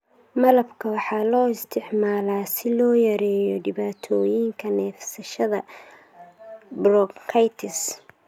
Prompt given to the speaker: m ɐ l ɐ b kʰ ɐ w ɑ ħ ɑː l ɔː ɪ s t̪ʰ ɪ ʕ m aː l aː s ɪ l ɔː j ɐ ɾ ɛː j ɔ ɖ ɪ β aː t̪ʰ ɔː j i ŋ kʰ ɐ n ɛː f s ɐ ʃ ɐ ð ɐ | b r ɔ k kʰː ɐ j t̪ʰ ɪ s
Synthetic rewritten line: m ɐ l ɐ b kʰ ɐ w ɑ ħ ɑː l ɔː ɪ s t̪ʰ ɪ ʕ m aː l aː s ɪ l ɔː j ɐ ɾ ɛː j ɔ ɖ ɪ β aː t̪ʰ ɔː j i ŋ kʰ ɐ n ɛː f s ɐ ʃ ɐ ð ɐ | b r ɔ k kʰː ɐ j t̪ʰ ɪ s